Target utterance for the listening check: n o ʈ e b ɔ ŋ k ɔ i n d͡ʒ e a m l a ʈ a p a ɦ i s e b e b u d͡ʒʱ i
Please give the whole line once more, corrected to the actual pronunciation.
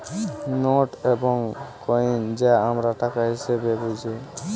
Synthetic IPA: n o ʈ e b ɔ ŋ k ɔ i n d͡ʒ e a m ɾ a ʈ a k a ɦ i s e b e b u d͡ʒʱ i